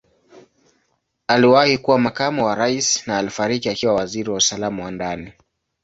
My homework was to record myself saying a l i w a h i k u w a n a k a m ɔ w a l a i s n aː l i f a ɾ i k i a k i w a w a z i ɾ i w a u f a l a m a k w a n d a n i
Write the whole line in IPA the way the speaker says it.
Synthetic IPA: a l i w a h i k u w a m a k a m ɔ w a ɾ a i s n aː l i f a ɾ i k i a k i w a w a z i ɾ i w a u s a l a m a w a n d a n i